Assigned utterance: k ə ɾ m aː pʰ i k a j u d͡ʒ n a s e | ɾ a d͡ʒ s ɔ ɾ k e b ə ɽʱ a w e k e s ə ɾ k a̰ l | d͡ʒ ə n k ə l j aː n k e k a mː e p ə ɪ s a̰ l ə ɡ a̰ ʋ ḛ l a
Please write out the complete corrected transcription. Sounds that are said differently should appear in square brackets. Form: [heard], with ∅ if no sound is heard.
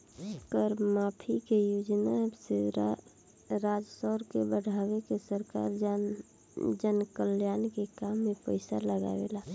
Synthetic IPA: k ə ɾ m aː pʰ i k [e] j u d͡ʒ n a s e | ɾ a d͡ʒ s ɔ ɾ k e b ə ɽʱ a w e k e s ə ɾ k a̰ [ɾ] | d͡ʒ ə n k ə l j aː n k e k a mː e p ə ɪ s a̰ l ə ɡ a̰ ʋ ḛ l a